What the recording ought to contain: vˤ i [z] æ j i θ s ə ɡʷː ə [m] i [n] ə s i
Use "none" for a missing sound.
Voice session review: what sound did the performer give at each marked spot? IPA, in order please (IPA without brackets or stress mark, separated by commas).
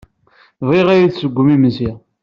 ʁ, m, m